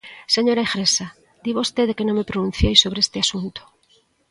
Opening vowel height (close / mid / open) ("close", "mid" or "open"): mid